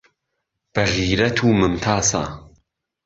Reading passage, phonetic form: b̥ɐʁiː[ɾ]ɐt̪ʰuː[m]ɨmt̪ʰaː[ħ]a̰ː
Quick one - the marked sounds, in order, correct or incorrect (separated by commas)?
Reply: correct, correct, incorrect